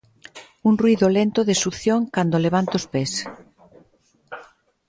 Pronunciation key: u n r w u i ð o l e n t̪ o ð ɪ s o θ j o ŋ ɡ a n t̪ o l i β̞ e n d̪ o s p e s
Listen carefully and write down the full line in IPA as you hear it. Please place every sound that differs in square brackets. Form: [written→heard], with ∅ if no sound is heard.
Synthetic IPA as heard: u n r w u i ð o l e n t̪ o ð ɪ s [o→u] θ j o ŋ [ɡ→k] a n [t̪→d̪] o l [i→e] β̞ [e→a] n [d̪→t̪] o s p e s